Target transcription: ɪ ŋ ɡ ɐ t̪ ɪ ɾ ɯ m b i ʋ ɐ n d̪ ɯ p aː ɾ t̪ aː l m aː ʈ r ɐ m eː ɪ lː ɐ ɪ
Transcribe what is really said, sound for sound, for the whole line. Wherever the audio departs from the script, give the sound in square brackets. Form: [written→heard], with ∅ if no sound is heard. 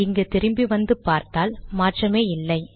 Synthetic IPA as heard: ɪ ŋ ɡ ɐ t̪ ɪ ɾ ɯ m b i ʋ ɐ n d̪ ɯ p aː ɾ t̪ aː l m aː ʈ r ɐ m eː ɪ lː ɐ ɪ